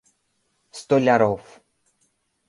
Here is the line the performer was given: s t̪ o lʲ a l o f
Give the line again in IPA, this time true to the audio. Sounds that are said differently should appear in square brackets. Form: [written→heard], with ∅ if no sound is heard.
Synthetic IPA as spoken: s t̪ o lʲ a [l→ɾ] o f